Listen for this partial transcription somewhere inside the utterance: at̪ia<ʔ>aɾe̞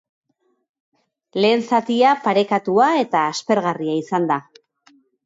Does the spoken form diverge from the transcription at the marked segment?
yes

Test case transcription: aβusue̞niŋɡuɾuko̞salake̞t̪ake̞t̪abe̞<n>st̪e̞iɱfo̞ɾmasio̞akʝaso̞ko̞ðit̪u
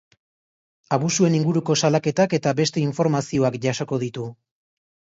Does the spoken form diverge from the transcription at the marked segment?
yes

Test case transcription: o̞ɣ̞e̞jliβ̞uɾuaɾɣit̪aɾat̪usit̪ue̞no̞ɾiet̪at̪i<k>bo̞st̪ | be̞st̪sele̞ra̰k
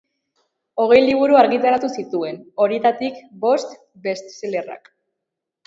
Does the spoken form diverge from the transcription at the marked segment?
no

